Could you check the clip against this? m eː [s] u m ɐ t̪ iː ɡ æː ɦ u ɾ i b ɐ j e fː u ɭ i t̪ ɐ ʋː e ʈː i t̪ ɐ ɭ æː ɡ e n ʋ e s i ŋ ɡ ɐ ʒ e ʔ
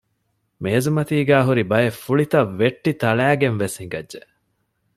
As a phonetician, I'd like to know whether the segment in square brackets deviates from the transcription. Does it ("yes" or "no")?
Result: yes